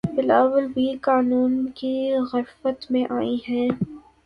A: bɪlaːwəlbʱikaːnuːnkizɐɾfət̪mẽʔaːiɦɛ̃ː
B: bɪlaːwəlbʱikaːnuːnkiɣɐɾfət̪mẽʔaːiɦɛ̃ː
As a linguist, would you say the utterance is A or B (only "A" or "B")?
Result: B